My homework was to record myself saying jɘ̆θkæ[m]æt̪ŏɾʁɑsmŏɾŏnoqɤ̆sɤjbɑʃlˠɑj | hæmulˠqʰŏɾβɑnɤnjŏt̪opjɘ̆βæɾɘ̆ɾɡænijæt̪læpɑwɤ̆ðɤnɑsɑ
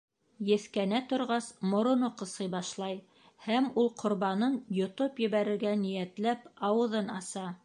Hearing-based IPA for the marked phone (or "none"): n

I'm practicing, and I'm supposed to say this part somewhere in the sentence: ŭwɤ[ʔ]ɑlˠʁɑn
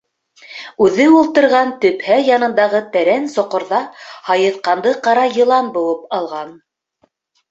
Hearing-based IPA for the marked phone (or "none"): p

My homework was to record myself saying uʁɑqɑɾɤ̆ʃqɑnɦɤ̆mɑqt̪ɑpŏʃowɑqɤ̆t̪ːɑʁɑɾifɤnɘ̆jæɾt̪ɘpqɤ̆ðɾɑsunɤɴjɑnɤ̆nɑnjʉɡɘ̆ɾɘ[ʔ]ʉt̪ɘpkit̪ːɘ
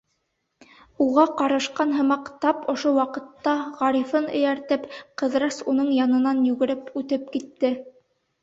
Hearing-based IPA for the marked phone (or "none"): p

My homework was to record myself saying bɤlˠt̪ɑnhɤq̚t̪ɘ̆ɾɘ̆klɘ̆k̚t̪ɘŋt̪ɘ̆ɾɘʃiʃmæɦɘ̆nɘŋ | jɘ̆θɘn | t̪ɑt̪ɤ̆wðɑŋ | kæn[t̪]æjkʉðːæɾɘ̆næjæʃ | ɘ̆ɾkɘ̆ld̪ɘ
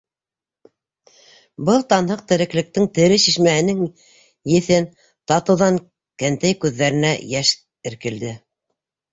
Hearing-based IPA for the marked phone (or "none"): t̪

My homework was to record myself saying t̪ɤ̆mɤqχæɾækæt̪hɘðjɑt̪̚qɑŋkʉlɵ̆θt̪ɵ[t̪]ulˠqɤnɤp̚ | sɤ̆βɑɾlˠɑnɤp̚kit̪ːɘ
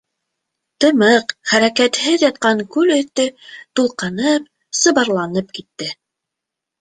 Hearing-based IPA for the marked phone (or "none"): t̪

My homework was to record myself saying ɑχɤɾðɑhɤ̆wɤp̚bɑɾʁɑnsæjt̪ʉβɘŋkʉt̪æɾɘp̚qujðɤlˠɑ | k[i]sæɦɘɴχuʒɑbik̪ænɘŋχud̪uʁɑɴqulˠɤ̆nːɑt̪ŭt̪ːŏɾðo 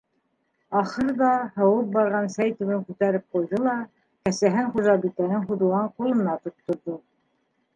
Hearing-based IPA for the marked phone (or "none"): æ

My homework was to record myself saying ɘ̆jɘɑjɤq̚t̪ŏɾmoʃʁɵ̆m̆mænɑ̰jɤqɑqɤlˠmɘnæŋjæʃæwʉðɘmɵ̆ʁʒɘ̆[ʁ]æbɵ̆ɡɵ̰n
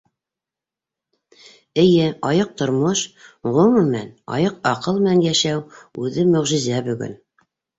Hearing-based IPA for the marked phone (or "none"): z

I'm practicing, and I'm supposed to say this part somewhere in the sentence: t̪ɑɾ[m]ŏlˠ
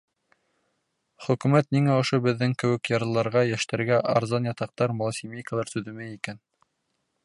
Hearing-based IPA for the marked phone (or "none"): m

